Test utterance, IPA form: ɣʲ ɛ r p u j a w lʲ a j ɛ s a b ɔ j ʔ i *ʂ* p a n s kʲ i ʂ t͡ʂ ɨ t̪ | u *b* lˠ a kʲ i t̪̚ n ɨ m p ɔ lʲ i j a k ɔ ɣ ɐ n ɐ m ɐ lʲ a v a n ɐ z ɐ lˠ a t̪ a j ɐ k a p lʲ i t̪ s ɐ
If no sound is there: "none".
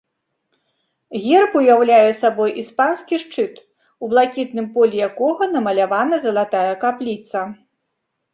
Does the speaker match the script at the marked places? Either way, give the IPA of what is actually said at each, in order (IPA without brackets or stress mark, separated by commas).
s, b